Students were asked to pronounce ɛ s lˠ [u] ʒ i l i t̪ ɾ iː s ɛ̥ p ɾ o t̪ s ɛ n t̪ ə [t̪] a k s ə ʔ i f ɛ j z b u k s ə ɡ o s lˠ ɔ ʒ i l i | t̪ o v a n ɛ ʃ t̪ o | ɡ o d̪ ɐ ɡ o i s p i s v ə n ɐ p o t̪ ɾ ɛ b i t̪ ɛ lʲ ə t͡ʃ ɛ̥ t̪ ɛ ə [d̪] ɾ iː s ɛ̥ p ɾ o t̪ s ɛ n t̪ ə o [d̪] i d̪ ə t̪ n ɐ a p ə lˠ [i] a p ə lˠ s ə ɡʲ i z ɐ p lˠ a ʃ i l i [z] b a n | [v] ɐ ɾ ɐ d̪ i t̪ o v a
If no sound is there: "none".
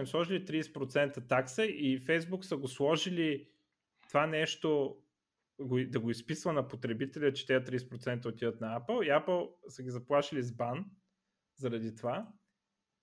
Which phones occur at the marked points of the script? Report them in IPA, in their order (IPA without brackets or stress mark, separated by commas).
ɔ, t̪, t̪, t̪, i, z, z